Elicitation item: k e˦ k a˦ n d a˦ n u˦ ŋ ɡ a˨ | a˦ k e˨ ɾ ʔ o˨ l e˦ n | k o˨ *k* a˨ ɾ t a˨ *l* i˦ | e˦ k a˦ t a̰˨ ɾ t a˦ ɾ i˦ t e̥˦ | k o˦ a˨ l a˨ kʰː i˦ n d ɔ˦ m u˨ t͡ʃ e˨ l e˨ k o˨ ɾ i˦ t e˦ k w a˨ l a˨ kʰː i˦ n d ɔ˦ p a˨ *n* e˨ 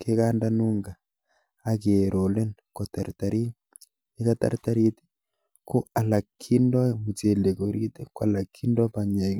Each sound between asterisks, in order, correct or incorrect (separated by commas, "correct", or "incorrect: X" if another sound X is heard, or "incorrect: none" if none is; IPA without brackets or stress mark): incorrect: t, incorrect: ɾ, incorrect: ɲ